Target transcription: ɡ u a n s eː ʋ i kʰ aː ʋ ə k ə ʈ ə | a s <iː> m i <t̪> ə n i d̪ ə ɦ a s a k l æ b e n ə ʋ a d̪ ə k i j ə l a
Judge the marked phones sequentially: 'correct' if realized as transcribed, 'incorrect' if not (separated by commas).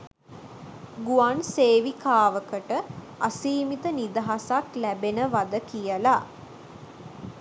correct, correct